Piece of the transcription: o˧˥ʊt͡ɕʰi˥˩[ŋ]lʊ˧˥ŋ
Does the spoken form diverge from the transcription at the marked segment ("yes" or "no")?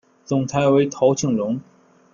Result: no